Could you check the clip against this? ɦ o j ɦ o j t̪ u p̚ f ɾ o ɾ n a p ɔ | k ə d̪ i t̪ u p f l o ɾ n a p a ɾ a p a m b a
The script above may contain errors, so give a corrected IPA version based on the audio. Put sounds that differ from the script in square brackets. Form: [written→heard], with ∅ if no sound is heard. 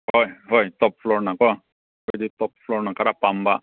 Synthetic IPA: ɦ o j ɦ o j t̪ [u→ɔ] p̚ f [ɾ→l] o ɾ n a [p→k] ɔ | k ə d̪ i t̪ [u→ɔ] p f l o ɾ n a [p→k] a ɾ a p a m b a